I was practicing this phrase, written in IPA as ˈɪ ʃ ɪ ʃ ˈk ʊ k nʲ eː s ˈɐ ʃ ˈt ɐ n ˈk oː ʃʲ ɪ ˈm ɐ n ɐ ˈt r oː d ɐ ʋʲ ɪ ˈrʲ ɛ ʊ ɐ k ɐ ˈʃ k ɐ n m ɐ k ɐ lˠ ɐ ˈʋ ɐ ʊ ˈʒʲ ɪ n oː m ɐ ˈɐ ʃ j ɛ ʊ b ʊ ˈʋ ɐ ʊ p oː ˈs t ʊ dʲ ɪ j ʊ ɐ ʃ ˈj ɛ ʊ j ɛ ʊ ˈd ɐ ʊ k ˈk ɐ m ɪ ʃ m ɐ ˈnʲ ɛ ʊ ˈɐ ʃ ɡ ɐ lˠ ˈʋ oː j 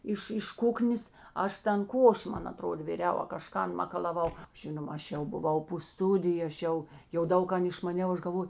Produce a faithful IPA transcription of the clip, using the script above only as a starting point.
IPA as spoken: ˈɪ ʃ ɪ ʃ ˈk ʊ k nʲ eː s ˈɐ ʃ ˈt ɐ n ˈk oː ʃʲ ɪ ˈm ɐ n ɐ ˈt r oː d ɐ ʋʲ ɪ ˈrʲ ɛ ʊ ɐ k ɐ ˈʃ k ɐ n m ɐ k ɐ lˠ ɐ ˈʋ ɐ ʊ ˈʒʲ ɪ n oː m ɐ ˈɐ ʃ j ɛ ʊ b ʊ ˈʋ ɐ ʊ p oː ˈs t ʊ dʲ ɪ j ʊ ɐ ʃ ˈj ɛ ʊ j ɛ ʊ ˈd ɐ ʊ k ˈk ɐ n ɪ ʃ m ɐ ˈnʲ ɛ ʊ ˈɐ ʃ ɡ ɐ lˠ ˈʋ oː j